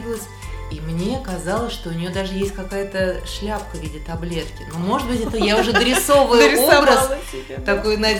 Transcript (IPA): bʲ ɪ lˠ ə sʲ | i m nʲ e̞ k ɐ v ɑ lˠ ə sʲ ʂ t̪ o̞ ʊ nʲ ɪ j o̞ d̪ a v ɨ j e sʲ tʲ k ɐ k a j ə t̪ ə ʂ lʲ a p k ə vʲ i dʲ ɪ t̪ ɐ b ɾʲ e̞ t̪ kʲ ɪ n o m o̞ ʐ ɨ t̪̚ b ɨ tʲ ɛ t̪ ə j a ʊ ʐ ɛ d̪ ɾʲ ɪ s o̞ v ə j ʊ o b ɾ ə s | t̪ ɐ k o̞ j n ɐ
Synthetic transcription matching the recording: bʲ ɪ lˠ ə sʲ | i m nʲ e̞ k ɐ z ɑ lˠ ə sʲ ʂ t̪ o̞ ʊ nʲ ɪ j o̞ d̪ a ʐ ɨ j e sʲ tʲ k ɐ k a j ə t̪ ə ʂ lʲ a p k ə vʲ i dʲ ɪ t̪ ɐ b lʲ e̞ t̪ kʲ ɪ n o m o̞ ʐ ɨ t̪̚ b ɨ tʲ ɛ t̪ ə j a ʊ ʐ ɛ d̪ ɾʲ ɪ s o̞ v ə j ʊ o b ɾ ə s | t̪ ɐ k o̞ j n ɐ